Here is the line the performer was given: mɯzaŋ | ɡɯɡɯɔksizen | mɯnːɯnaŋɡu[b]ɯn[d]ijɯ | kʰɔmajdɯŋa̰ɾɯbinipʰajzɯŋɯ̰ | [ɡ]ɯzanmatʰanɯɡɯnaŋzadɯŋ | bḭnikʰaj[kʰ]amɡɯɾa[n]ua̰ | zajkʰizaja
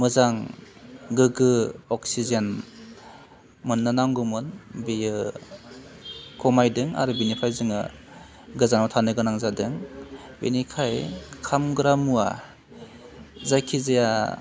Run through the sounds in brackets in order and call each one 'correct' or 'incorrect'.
incorrect: m, incorrect: b, correct, correct, incorrect: m

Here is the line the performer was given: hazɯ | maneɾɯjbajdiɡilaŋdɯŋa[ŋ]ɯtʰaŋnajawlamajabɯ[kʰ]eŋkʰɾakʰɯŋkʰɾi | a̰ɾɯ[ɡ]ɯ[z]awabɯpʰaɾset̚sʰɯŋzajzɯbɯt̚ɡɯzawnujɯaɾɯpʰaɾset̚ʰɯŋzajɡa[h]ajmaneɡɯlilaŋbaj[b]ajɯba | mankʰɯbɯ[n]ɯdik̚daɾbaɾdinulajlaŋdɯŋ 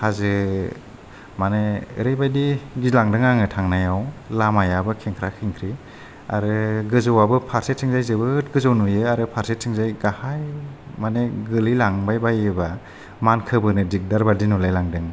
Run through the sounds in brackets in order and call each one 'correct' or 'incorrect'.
correct, correct, correct, correct, correct, correct, correct

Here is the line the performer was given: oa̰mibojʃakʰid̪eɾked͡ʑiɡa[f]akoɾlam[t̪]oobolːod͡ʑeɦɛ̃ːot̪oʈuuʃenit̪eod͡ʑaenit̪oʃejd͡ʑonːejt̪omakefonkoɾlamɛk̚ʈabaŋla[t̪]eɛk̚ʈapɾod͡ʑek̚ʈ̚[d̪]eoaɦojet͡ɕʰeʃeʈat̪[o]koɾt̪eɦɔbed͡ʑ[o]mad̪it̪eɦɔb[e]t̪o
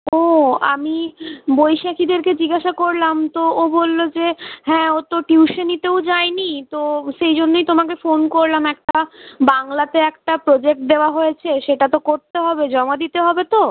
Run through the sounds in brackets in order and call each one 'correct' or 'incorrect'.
incorrect: ʃ, correct, correct, correct, correct, incorrect: ɔ, correct

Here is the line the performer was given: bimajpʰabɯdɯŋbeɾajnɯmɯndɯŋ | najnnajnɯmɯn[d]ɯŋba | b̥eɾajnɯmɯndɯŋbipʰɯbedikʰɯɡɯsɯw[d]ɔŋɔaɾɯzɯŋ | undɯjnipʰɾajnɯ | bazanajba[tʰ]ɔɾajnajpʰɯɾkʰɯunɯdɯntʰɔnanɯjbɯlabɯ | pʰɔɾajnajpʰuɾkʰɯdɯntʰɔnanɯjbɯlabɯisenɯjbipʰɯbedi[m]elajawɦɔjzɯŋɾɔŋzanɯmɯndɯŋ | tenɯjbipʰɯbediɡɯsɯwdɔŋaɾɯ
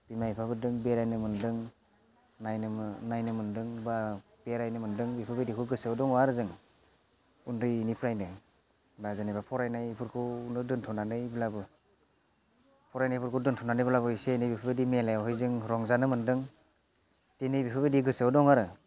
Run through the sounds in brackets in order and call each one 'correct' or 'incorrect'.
correct, correct, incorrect: pʰ, correct

